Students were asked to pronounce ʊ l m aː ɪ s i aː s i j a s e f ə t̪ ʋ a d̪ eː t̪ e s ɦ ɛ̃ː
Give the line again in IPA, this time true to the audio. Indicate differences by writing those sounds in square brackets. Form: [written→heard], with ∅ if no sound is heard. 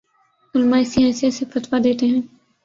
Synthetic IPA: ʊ l m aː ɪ s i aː s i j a s e f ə t̪ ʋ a d̪ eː t̪ e [s→∅] ɦ ɛ̃ː